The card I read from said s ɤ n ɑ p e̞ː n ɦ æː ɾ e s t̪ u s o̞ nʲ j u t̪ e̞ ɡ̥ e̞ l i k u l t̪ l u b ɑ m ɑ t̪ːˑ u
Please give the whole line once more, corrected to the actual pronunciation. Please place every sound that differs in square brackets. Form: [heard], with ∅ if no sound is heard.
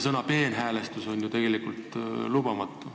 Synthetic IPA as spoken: s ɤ n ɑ p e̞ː n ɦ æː [l] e s t̪ u s o̞ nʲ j u t̪ e̞ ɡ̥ e̞ l i k u l t̪ l u b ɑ m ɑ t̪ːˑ u